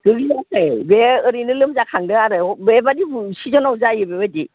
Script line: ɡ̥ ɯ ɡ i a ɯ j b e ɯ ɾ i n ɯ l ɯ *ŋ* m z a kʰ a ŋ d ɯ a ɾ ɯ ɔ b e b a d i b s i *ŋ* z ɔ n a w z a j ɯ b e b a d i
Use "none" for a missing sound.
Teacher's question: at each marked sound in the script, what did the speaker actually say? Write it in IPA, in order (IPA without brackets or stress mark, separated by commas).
none, none